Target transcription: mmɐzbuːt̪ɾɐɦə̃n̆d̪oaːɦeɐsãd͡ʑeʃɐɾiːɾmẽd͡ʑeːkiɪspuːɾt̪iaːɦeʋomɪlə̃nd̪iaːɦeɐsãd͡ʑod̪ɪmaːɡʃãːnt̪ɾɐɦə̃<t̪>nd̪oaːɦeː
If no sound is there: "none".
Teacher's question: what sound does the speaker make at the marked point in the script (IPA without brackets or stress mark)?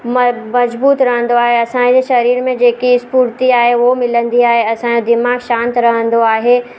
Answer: none